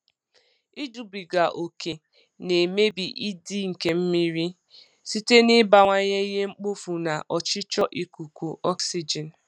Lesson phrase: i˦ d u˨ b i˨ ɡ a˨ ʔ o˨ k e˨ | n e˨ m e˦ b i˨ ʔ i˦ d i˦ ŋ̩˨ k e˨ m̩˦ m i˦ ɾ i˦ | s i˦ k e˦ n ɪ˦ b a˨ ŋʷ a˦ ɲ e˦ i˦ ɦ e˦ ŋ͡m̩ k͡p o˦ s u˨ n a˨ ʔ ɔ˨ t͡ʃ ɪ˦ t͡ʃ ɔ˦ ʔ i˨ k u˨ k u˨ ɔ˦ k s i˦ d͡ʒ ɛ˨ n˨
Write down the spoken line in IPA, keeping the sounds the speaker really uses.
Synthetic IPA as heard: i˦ d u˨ b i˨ ɡ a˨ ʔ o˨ k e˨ | n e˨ m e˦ b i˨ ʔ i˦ d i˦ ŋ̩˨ k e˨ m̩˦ m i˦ ɾ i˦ | s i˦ t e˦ n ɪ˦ b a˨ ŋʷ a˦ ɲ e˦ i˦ ɦ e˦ ŋ͡m̩ k͡p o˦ f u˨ n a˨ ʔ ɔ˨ t͡ʃ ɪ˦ t͡ʃ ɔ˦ ʔ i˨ k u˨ k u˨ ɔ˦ k s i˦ d͡ʒ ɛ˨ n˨